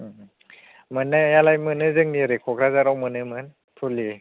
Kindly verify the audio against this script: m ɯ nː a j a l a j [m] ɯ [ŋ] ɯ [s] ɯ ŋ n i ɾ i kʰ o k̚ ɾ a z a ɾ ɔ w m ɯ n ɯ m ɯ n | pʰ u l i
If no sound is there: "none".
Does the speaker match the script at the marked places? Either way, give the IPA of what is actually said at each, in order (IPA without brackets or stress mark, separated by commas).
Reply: m, n, z